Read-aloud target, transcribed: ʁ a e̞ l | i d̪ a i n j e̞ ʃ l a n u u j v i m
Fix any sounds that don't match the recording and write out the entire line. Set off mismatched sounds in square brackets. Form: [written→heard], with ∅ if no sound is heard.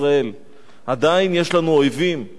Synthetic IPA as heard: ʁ a e̞ l | [i→a] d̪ a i n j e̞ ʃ l a n u [u→o] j v i m